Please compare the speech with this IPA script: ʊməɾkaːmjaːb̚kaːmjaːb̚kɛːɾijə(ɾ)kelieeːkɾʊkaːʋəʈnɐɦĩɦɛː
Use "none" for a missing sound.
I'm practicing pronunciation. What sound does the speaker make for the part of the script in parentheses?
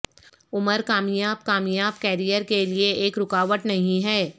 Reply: ɾ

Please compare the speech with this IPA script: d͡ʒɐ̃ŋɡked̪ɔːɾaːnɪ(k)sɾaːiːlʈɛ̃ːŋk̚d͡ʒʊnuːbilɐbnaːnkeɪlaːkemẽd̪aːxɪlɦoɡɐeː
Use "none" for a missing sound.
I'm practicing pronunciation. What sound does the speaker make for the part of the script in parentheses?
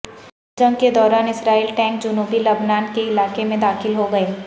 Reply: none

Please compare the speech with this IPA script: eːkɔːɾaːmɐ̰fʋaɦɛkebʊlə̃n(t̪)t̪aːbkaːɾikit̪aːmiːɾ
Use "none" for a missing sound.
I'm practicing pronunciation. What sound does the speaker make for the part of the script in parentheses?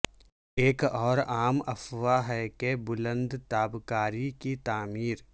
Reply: d̪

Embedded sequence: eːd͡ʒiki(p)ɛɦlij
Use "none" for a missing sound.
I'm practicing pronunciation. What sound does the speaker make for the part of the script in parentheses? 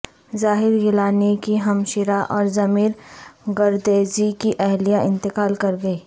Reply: ʔ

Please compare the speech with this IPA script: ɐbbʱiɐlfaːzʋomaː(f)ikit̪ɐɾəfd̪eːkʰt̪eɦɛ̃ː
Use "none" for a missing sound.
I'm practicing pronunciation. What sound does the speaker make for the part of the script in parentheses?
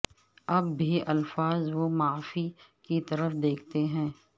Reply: f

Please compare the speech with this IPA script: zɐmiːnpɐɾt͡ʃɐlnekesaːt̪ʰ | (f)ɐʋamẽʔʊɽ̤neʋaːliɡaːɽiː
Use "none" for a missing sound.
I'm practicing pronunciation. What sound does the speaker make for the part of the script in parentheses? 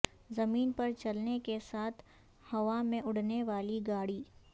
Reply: h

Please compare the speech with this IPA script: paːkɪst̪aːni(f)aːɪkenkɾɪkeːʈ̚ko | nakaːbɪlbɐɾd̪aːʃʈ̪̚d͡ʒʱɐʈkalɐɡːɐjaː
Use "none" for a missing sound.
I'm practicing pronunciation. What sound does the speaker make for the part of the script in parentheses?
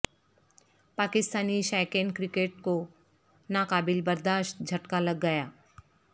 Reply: ʃ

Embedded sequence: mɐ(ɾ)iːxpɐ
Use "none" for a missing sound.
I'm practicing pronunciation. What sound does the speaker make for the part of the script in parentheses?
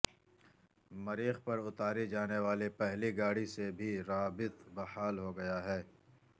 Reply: ɾ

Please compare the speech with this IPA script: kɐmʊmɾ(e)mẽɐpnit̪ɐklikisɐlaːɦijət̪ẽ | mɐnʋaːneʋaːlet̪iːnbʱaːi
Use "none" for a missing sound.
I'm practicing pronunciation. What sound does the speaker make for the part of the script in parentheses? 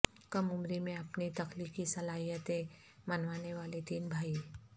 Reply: i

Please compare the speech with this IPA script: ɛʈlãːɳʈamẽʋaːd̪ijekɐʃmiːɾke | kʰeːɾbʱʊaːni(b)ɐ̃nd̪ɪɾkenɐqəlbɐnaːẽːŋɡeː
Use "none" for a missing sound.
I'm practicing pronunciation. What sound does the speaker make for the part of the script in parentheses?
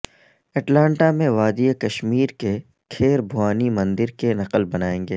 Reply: m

